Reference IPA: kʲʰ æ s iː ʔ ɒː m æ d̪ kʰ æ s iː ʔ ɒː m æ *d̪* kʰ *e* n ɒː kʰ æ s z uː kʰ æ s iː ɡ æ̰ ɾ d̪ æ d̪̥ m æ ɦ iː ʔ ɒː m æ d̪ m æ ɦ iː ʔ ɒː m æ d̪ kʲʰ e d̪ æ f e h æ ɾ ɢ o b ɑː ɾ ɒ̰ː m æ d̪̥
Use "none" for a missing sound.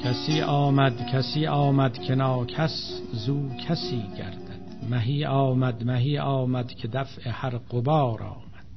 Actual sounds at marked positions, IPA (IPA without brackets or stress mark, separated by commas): d̪, e